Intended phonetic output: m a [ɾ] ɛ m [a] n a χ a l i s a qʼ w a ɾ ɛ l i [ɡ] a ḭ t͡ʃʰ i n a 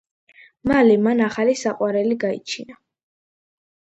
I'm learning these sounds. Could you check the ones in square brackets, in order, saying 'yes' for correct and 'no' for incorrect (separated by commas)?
no, yes, yes